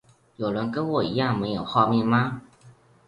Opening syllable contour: low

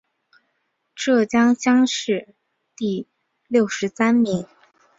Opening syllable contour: falling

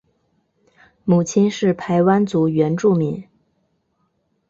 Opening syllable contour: low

